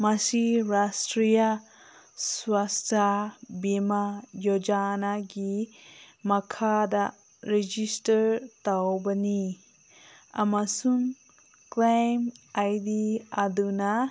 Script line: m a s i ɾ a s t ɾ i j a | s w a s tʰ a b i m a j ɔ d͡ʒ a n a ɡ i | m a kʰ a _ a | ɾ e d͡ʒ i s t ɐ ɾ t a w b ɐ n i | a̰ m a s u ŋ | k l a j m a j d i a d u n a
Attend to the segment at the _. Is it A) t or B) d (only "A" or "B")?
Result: B